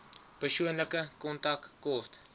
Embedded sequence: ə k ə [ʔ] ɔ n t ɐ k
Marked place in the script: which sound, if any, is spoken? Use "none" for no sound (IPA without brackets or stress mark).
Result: k